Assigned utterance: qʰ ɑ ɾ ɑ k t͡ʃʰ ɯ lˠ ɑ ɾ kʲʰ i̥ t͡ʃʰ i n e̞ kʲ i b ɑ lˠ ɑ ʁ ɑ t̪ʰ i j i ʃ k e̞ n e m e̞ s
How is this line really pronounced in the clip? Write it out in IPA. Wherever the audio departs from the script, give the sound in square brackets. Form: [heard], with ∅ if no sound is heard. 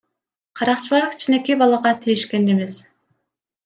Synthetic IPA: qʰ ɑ ɾ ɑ [q] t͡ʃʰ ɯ lˠ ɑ ɾ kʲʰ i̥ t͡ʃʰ i n e̞ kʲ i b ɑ lˠ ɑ ʁ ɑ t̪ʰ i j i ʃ k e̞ n e m e̞ s